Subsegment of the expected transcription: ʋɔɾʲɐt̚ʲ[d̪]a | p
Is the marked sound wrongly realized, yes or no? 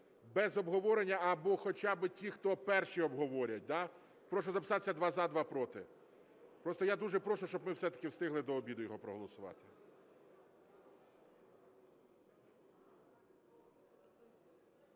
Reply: no